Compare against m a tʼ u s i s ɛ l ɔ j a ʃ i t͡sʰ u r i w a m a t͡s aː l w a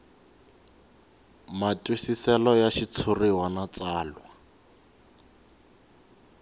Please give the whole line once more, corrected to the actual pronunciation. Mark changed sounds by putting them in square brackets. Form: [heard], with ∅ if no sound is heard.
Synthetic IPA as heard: m a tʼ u s i s ɛ l ɔ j a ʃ i t͡sʰ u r i w a [n] a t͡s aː l w a